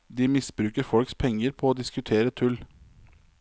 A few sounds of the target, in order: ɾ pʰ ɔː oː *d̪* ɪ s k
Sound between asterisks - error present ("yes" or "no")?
no